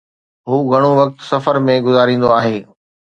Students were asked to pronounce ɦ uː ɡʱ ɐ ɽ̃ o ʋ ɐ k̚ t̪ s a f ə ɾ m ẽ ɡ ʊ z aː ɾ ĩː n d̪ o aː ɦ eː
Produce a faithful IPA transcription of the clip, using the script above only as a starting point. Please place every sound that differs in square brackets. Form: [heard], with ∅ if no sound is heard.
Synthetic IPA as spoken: ɦ uː ɡʱ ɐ ɽ̃ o ʋ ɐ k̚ t̪ s [ɐ] f ə ɾ m ẽ ɡ ʊ z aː ɾ ĩː n d̪ o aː ɦ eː